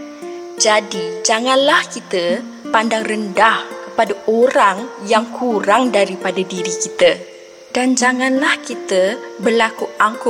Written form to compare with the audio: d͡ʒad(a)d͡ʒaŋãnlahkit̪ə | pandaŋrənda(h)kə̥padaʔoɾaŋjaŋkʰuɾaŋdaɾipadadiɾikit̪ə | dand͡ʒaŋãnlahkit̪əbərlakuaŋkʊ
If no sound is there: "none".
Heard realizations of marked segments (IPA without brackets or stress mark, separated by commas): i, h